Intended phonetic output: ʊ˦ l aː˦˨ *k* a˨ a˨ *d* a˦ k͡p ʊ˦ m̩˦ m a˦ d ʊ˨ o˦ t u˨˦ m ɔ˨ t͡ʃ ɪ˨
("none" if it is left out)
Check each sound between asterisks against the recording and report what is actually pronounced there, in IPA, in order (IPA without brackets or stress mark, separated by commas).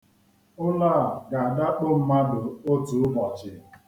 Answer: ɡ, d